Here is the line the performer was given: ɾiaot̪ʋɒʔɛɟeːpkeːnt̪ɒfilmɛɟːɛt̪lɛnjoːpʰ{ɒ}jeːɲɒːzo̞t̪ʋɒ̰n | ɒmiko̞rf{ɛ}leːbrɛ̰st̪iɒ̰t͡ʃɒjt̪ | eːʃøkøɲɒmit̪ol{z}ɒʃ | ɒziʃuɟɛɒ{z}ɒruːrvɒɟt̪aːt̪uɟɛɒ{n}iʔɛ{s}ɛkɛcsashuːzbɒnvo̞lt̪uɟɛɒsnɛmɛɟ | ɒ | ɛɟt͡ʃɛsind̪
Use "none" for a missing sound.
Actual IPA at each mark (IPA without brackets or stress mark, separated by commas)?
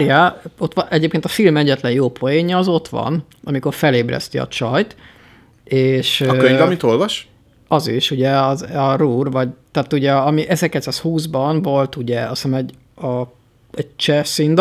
o, ɛ, v, z, m, z